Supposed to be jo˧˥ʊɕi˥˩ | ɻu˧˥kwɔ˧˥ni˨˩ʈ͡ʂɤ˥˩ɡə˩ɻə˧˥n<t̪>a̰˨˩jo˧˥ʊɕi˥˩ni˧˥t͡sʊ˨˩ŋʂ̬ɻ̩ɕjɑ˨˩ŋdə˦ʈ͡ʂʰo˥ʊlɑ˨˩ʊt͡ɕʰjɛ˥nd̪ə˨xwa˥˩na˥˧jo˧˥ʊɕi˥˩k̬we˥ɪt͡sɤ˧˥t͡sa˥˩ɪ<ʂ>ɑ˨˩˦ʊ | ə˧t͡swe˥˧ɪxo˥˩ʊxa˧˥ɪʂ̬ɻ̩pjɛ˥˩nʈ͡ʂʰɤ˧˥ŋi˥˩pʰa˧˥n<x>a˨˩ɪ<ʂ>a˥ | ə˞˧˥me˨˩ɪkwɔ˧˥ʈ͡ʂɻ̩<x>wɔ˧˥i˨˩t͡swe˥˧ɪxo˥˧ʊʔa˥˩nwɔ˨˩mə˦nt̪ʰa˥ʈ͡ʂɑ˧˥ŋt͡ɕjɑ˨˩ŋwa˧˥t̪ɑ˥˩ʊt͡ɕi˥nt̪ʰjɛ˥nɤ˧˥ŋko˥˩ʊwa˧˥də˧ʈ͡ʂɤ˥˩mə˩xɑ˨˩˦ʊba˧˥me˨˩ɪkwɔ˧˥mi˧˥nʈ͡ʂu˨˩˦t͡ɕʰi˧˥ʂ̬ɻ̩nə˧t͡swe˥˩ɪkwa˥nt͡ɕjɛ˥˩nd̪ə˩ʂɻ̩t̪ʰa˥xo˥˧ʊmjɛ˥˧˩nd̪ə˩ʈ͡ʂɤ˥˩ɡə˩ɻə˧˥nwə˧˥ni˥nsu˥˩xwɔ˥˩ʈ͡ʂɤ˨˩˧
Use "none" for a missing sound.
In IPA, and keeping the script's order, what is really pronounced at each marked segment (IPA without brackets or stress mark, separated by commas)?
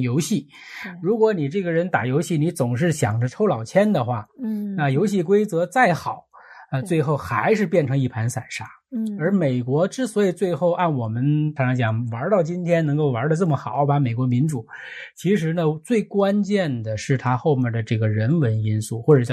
t̪, x, s, ʂ, s